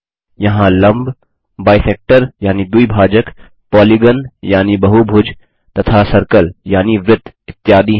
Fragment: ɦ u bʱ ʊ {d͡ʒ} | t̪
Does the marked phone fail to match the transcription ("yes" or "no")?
no